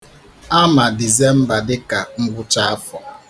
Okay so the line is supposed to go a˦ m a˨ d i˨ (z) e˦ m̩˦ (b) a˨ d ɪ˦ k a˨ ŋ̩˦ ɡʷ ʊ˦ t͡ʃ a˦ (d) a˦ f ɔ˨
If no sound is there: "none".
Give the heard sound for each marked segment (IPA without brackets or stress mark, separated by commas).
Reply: z, b, none